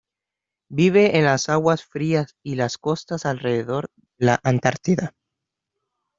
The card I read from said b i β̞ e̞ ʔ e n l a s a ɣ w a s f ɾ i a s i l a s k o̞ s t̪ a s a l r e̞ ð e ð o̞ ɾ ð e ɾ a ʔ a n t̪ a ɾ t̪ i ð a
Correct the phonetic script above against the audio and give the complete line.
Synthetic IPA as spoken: b i β̞ e̞ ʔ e n l a s a ɣ w a s f ɾ i a s i l a s k o̞ s t̪ a s a l r e̞ ð e ð o̞ ɾ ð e l a ʔ a n t̪ a ɾ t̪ i ð a